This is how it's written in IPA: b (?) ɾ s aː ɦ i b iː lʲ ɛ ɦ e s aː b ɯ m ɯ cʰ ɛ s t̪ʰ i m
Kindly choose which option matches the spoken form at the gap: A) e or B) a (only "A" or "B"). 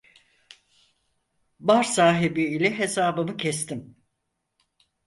B